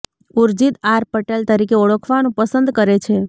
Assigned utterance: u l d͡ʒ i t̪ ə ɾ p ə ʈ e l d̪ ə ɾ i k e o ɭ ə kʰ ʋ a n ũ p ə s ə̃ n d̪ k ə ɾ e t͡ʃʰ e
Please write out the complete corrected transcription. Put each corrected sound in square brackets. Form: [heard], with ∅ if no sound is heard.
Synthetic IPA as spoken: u [ɾ] d͡ʒ i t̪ [a] ɾ p ə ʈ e l [t̪] ə ɾ i k e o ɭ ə kʰ ʋ a n ũ p ə s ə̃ n d̪ k ə ɾ e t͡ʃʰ e